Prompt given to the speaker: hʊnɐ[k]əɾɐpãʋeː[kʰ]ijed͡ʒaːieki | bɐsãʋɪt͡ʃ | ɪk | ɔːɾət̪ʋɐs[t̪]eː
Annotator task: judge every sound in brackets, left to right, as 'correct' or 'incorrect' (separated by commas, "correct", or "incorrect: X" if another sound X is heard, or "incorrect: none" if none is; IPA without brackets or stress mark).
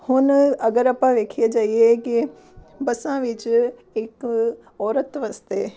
incorrect: ɡ, correct, correct